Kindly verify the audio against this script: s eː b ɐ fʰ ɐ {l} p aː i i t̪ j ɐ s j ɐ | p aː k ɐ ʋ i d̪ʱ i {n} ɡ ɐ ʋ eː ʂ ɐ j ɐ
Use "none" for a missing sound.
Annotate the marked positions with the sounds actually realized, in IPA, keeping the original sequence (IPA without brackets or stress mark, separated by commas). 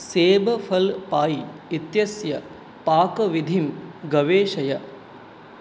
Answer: l, m